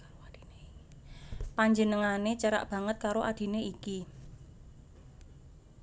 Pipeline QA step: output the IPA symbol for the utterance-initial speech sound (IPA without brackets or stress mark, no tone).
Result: p